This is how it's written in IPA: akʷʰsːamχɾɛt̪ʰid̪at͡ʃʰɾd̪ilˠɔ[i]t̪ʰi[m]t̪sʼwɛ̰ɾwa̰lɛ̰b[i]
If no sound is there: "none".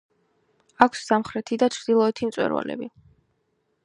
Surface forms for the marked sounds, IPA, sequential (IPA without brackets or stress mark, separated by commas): ɛ, m, i